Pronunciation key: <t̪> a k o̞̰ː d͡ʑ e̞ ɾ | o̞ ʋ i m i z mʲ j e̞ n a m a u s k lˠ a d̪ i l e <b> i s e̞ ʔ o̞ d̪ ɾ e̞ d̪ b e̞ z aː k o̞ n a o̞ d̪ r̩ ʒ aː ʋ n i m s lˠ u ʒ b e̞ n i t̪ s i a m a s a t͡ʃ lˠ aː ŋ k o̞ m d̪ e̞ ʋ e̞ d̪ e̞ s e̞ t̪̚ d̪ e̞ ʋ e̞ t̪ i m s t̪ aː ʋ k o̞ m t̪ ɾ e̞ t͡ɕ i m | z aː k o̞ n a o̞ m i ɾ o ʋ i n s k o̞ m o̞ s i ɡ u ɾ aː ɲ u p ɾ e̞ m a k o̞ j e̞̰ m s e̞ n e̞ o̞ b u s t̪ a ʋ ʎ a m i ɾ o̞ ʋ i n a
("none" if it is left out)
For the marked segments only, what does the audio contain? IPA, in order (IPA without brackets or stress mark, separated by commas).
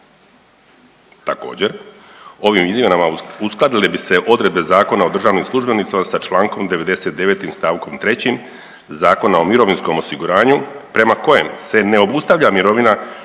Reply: t̪, b